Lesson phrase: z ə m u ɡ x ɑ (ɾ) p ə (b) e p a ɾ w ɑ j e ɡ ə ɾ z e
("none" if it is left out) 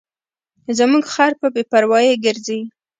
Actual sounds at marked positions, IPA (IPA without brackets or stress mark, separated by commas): ɾ, b